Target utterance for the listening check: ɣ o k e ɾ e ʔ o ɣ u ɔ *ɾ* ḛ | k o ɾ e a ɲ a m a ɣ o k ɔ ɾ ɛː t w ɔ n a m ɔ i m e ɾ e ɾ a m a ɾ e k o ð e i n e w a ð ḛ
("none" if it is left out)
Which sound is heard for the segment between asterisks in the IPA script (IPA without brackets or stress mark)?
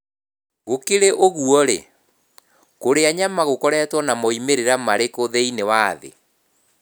ɾ